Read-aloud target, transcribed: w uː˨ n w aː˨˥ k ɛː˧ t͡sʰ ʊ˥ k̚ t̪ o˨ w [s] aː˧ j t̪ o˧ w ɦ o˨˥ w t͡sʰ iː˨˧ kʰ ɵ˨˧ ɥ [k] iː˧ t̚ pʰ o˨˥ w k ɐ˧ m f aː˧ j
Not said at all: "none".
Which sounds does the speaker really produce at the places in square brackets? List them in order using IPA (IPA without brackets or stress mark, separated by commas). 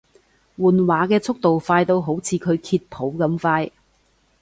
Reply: f, kʰ